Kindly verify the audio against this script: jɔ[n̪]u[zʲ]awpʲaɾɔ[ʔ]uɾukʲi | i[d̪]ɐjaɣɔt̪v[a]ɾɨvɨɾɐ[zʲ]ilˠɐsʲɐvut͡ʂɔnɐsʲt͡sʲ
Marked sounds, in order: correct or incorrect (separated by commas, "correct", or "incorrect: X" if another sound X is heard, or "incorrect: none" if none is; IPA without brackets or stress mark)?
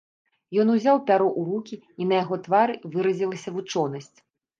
correct, correct, correct, incorrect: n̪, correct, correct